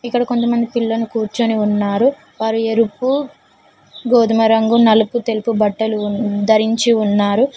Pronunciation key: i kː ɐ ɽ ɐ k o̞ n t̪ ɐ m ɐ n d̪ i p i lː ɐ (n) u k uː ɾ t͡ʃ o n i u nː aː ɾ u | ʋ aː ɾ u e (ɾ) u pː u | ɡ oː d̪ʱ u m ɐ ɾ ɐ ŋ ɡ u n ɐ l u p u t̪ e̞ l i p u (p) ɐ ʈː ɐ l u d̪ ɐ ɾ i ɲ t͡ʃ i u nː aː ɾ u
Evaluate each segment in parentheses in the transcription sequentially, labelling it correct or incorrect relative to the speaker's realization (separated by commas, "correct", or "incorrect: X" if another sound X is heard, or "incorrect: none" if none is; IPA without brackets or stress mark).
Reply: correct, correct, incorrect: b